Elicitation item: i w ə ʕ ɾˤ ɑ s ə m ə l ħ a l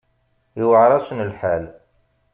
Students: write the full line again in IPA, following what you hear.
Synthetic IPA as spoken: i w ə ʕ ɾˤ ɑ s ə n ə l ħ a l